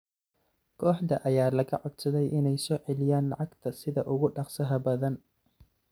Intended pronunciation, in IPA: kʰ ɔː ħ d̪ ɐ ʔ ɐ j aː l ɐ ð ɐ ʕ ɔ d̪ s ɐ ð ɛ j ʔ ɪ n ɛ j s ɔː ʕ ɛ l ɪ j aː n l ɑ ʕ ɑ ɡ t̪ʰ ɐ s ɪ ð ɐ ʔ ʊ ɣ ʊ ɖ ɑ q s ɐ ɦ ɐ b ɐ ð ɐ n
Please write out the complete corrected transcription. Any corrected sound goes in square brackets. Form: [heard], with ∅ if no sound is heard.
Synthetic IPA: kʰ ɔː ħ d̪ ɐ ʔ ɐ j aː l ɐ [ɣ] ɐ ʕ ɔ d̪ s ɐ ð ɛ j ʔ ɪ n ɛ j s ɔː ʕ ɛ l ɪ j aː n l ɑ ʕ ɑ ɡ t̪ʰ ɐ s ɪ ð ɐ ʔ ʊ ɣ ʊ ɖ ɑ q s ɐ ɦ ɐ b ɐ ð ɐ n